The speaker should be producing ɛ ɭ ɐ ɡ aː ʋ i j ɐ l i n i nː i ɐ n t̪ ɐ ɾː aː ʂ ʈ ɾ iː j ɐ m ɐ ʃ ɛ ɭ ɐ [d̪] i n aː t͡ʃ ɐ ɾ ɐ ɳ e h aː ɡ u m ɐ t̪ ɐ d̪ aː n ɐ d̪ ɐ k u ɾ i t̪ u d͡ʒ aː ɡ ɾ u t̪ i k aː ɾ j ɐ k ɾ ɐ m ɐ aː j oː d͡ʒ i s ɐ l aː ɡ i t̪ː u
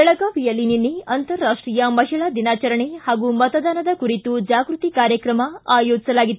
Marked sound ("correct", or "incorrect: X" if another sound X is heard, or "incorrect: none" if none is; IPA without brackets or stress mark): correct